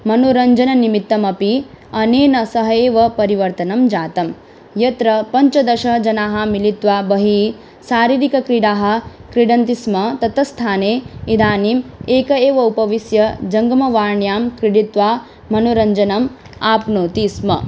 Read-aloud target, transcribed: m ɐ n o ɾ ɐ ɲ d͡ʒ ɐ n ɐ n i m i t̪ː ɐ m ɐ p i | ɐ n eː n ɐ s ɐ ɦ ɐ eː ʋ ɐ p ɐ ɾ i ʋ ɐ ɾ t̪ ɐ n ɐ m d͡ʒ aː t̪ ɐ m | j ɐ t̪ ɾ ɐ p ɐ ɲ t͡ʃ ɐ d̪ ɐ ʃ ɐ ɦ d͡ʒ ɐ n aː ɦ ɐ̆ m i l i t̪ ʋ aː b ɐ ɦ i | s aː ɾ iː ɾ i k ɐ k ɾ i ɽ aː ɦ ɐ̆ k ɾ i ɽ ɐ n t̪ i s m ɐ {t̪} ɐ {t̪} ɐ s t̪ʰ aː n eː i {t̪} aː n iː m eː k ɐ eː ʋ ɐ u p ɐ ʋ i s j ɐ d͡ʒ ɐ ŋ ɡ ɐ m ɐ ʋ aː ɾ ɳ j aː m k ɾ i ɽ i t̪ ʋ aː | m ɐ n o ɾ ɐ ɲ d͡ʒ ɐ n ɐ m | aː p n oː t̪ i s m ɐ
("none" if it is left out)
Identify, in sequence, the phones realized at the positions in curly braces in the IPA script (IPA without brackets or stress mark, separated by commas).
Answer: t̪, t̪, d̪